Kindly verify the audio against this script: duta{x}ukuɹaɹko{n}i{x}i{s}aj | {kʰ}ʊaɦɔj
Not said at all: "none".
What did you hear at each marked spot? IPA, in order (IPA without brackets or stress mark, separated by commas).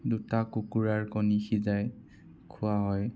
k, n, x, z, kʰ